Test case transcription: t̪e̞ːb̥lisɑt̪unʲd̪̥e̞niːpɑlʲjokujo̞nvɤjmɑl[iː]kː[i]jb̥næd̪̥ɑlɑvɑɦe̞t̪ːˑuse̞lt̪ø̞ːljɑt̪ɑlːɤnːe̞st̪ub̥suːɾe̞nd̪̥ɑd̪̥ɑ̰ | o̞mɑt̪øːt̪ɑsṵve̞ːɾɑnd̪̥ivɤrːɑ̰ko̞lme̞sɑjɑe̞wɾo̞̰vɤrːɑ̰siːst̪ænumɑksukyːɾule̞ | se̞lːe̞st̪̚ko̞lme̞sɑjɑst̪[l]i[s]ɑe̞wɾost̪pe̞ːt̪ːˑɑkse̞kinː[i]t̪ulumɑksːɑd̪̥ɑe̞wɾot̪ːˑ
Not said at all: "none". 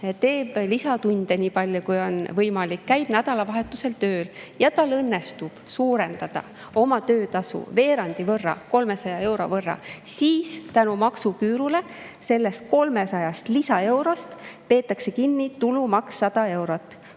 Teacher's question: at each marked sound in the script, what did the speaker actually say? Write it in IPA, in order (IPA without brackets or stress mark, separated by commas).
i, æ, l, s, i